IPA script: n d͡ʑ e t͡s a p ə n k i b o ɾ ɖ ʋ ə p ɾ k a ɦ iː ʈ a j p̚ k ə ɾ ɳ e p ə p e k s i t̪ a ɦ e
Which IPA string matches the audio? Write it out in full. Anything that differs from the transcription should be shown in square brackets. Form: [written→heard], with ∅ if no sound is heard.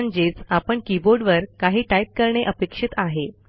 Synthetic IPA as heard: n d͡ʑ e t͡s a p ə [n→ɳ] k i b o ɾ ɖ ʋ ə [p→∅] ɾ k a ɦ iː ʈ a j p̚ k ə ɾ ɳ e [p→ʔ] ə p e k [s→ʂ] i t̪ a ɦ e

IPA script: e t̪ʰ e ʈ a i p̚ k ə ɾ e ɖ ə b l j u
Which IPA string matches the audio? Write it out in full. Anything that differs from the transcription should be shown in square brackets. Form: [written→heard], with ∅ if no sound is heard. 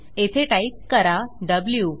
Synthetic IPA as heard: e t̪ʰ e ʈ a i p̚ k ə ɾ [e→a] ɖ ə b l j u

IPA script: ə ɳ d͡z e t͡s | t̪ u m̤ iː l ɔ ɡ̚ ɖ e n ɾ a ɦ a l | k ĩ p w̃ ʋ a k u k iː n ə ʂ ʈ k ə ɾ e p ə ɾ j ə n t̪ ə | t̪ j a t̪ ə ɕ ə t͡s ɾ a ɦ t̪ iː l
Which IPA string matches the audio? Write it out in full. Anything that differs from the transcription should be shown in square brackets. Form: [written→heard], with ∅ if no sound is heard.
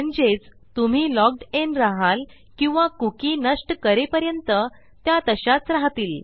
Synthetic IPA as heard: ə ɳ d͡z e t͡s | t̪ u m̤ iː l ɔ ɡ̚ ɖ e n ɾ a ɦ a l | k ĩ [p→∅] w̃ ʋ a k u k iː n ə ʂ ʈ k ə ɾ e p ə ɾ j ə n t̪ ə | t̪ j a t̪ ə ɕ [ə→a] t͡s ɾ a ɦ t̪ iː l

